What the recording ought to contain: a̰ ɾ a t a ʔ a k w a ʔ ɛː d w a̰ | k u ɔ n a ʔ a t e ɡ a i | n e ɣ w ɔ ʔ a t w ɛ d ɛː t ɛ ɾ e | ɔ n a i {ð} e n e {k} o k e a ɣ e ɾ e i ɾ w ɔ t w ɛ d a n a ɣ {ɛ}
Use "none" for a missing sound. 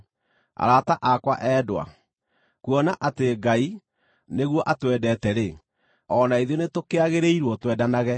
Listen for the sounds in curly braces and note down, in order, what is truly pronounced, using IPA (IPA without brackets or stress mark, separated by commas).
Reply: ð, t, ɛ